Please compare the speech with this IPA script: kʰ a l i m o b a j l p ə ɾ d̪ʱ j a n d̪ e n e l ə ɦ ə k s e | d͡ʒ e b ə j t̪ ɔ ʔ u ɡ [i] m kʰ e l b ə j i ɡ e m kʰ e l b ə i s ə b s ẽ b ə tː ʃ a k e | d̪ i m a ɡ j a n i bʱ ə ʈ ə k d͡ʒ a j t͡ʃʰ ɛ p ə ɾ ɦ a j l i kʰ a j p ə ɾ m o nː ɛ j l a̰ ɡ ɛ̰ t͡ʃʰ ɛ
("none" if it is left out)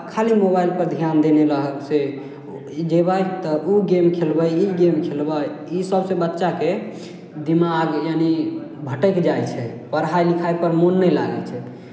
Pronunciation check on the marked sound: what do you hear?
e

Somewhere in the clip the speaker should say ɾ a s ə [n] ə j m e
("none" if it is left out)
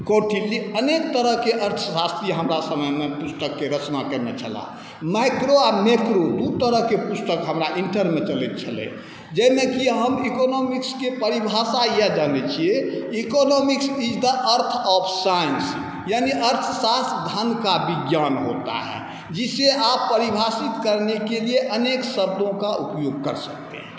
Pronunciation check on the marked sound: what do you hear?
m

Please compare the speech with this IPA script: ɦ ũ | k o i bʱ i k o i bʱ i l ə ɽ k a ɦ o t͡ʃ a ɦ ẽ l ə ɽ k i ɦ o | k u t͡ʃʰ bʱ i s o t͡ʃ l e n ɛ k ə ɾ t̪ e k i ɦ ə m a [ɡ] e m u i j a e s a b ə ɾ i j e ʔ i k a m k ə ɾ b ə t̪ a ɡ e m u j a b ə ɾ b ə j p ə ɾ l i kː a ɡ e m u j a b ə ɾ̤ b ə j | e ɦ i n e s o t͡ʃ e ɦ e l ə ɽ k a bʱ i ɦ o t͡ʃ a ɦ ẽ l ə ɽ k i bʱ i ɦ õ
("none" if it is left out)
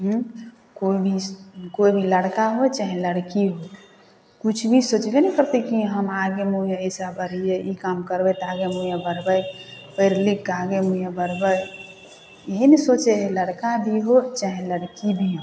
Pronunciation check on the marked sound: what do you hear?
ɡ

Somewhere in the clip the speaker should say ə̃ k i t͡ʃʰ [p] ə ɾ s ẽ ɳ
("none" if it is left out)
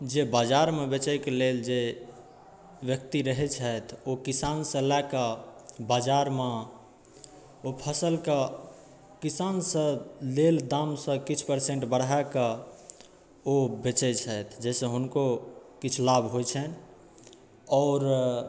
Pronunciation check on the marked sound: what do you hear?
p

